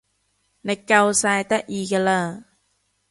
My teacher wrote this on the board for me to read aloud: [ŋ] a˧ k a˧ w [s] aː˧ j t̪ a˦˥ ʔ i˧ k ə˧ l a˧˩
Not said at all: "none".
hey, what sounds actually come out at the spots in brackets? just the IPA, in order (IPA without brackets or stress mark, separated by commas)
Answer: n, s